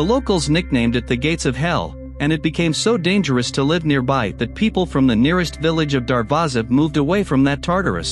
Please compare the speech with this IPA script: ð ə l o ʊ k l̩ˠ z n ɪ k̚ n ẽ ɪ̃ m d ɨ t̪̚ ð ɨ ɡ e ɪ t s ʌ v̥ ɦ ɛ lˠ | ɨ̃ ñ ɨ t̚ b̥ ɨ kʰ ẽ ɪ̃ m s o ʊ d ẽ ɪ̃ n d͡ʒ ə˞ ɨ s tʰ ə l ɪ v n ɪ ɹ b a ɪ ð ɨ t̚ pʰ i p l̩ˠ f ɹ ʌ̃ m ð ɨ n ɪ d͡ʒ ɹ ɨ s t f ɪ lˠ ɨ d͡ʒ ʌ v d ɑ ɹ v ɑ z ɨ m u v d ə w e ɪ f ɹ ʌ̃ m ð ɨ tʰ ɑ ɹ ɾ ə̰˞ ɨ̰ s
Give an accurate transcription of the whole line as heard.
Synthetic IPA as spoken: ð ə l o ʊ k l̩ˠ z n ɪ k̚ n ẽ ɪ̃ m d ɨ t̪̚ ð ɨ ɡ e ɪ t s ʌ v̥ ɦ ɛ lˠ | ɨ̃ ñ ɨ t̚ b̥ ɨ kʰ ẽ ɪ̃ m s o ʊ d ẽ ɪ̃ n d͡ʒ ə˞ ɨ s tʰ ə l ɪ v n ɪ ɹ b a ɪ ð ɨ t̚ pʰ i p l̩ˠ f ɹ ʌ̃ m ð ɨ n ɪ ɹ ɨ s t v ɪ lˠ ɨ d͡ʒ ʌ v d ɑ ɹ v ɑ z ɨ m u v d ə w e ɪ f ɹ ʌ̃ m ð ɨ tʰ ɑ ɹ ɾ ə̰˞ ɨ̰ s